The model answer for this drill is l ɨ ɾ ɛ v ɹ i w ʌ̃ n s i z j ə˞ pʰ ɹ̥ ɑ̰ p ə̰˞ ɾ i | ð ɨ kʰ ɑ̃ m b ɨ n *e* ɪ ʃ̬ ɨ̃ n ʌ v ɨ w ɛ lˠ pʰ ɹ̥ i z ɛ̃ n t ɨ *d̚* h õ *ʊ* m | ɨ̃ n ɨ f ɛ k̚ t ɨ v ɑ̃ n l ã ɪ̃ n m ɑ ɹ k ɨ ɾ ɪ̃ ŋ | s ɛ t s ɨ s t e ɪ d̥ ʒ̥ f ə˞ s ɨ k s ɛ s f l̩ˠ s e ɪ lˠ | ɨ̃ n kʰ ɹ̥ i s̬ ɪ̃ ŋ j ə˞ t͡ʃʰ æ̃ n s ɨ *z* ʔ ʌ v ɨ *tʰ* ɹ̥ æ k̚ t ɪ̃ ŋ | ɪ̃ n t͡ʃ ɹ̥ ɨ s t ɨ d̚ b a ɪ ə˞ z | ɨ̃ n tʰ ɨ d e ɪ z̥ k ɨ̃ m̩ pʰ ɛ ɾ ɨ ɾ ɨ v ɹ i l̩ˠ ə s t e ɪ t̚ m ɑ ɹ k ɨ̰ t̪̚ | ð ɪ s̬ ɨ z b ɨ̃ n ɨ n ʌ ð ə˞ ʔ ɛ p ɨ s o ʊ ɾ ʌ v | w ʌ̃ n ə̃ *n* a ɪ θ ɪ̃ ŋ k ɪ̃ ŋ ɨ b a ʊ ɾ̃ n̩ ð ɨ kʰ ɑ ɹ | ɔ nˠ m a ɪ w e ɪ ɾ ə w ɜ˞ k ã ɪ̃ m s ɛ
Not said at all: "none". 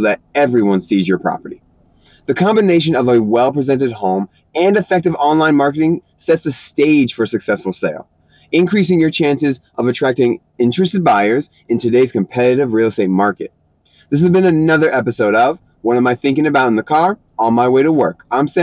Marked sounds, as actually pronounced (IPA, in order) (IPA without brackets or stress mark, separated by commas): e, d̚, ʊ̃, z, tʰ, m